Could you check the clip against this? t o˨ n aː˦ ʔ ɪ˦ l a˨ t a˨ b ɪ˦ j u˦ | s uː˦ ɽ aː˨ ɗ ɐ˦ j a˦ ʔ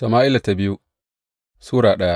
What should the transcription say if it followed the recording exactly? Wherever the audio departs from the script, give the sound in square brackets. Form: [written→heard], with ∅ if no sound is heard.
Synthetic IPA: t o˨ [n→m] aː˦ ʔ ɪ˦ l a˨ t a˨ b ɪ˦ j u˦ | s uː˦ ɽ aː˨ ɗ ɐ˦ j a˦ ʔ